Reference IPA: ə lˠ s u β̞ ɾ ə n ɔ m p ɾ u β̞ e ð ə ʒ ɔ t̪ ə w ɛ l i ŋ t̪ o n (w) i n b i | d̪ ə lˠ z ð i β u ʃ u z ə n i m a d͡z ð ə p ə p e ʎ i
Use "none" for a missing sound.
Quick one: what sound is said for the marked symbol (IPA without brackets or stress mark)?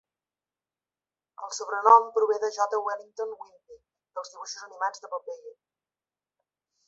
w